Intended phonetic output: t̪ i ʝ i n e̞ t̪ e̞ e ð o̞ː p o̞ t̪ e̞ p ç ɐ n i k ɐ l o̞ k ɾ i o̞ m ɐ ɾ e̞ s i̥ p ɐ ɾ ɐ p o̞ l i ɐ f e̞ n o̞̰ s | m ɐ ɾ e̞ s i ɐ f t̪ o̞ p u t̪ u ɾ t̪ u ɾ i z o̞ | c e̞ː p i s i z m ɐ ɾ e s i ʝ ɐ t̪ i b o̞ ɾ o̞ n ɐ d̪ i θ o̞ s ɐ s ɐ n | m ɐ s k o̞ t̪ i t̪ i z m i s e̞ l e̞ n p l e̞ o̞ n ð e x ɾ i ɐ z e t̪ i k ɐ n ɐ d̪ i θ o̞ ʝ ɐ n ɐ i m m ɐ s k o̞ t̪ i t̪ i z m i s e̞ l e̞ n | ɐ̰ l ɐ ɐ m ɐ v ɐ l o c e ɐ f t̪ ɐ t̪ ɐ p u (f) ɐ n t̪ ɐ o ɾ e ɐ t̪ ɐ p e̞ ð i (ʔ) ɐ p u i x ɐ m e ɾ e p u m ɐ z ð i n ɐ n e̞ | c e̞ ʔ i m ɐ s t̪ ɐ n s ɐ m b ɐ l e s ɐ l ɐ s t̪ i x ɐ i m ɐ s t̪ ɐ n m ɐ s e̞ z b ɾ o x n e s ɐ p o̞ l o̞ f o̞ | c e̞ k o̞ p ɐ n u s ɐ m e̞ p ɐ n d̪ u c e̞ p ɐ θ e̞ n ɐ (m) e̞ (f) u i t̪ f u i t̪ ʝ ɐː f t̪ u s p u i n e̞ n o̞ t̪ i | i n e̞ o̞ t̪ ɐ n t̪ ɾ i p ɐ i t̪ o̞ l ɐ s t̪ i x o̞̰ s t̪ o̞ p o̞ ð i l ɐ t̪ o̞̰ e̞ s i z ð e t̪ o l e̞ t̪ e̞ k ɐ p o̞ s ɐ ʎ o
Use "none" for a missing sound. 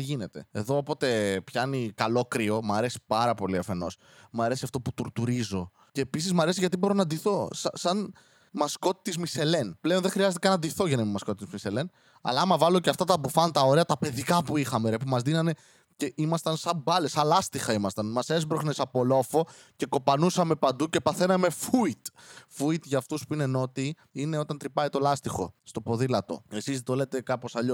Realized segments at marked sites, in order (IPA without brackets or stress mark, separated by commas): f, k, m, f